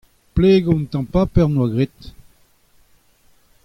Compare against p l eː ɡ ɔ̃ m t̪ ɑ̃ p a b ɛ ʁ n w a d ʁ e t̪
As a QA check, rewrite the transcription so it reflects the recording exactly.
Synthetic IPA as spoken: p l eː ɡ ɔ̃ n t̪ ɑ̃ p a p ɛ ʁ n w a ɡ ʁ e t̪